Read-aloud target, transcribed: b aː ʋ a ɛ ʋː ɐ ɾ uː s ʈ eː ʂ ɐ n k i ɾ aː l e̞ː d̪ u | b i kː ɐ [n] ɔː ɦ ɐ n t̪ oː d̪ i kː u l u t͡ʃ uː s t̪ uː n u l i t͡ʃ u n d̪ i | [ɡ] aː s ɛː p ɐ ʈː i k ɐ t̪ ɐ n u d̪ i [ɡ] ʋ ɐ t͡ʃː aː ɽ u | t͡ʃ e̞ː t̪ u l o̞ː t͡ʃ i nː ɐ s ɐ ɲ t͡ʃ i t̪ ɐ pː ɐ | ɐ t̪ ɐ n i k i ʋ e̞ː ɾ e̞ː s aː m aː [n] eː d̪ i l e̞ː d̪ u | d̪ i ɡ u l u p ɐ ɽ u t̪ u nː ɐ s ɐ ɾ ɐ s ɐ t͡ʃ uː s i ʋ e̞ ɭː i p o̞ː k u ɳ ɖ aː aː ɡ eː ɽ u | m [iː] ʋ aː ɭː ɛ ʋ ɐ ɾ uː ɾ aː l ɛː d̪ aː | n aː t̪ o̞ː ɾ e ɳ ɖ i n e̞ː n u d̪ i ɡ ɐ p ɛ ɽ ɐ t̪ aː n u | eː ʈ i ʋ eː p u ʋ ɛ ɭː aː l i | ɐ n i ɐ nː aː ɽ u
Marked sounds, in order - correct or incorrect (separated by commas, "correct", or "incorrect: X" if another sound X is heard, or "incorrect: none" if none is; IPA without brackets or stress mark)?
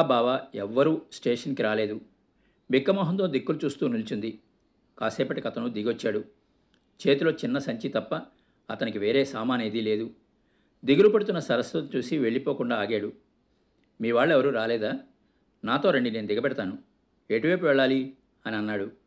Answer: incorrect: m, incorrect: k, correct, correct, correct